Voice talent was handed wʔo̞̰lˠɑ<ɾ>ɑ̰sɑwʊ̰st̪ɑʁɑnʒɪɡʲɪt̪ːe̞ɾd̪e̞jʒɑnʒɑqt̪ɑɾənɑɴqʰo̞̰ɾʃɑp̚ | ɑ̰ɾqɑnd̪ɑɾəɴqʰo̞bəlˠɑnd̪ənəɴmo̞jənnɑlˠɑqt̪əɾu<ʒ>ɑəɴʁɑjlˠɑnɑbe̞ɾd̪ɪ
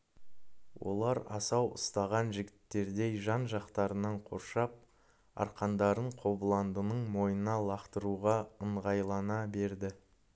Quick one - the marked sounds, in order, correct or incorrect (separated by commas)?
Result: correct, incorrect